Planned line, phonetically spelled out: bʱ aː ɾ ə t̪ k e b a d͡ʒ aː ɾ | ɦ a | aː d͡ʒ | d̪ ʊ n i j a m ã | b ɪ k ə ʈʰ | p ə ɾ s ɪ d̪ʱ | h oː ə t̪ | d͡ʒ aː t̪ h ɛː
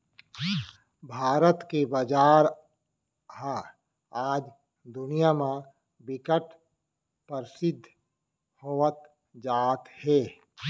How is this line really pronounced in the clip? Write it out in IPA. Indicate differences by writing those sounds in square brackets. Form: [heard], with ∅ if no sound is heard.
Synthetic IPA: bʱ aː ɾ ə t̪ k e b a d͡ʒ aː ɾ | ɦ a | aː d͡ʒ | d̪ ʊ n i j a m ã | b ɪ k ə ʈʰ | p ə ɾ s ɪ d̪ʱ | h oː ə t̪ | d͡ʒ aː t̪ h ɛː